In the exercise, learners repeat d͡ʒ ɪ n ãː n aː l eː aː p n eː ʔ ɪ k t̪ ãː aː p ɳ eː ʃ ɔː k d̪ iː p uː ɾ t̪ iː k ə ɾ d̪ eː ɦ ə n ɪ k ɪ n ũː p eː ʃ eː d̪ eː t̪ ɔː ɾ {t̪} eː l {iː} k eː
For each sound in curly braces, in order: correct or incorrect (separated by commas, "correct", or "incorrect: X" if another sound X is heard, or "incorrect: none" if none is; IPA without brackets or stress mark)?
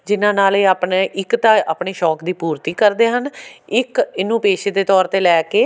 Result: correct, incorrect: ɛː